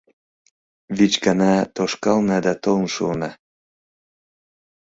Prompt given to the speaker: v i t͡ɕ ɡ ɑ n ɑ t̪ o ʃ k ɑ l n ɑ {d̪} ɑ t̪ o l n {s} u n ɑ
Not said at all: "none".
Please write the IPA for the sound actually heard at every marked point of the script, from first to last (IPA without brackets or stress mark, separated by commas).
d̪, ʃ